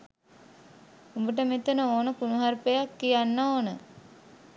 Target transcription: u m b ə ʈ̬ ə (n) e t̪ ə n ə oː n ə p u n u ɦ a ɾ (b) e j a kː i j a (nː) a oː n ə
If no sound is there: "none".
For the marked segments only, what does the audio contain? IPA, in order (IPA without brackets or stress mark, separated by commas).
m, p, nː